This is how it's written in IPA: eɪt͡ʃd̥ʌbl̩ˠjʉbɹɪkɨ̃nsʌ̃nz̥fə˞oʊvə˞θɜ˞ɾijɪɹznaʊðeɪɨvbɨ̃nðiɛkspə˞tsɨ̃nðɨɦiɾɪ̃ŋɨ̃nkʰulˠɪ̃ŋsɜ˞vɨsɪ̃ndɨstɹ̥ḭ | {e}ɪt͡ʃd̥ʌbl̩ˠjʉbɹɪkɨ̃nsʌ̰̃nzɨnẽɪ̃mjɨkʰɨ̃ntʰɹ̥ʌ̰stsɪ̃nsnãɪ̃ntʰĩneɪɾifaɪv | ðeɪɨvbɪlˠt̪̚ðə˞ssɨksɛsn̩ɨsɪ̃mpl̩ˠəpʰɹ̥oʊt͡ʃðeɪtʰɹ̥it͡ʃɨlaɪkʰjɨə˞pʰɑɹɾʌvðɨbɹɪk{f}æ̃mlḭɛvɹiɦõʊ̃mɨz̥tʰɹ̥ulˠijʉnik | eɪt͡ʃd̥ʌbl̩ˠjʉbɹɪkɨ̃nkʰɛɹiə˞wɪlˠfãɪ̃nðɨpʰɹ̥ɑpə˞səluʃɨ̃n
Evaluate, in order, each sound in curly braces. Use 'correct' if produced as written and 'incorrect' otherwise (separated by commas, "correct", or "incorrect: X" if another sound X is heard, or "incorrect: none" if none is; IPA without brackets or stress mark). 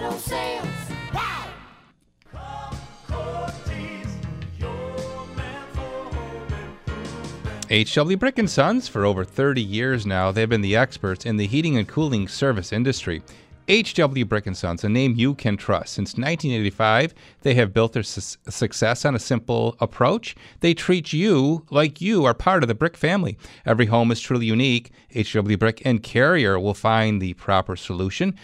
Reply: correct, correct